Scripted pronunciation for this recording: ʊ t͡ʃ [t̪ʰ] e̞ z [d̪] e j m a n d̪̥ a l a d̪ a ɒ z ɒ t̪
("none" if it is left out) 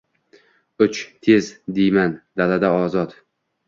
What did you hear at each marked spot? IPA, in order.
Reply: t̪ʰ, d̪

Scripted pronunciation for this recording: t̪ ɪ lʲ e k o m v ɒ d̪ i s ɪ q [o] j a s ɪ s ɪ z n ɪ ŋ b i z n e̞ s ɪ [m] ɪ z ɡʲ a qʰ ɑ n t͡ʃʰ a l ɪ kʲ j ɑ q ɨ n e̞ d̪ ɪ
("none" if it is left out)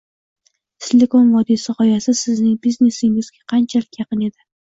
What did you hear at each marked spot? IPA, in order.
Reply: ɒ, ŋ

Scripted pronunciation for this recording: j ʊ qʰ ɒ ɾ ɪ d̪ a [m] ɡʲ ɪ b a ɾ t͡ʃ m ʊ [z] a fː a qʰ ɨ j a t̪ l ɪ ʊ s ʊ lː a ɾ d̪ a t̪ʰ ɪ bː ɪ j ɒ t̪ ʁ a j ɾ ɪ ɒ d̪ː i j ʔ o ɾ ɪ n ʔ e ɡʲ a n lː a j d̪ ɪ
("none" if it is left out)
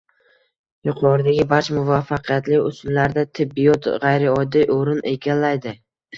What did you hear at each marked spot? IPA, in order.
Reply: none, v

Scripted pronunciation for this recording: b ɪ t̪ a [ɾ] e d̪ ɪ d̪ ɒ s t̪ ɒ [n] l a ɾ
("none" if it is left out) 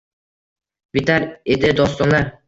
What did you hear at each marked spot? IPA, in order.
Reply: ɾ, n

